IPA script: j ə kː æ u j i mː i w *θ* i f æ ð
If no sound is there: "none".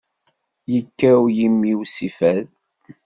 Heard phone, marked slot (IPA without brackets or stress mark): s